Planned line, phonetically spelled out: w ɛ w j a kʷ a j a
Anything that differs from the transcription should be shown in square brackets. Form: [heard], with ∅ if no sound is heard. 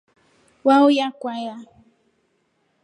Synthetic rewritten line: w [a] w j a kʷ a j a